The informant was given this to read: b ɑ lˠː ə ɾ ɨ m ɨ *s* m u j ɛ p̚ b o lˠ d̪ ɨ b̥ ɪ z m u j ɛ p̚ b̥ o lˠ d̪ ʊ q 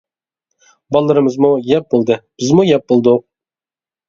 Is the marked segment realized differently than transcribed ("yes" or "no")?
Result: yes